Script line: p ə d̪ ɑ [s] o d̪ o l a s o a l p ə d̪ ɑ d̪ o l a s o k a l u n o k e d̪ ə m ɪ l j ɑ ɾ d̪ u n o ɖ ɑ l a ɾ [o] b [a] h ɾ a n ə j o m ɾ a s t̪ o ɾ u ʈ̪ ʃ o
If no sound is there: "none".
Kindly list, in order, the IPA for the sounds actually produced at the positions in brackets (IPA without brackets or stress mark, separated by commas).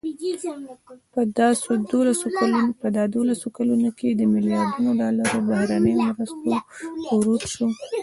s, o, a